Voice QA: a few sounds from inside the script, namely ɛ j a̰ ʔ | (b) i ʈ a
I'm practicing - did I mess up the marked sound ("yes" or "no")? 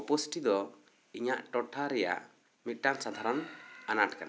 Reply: yes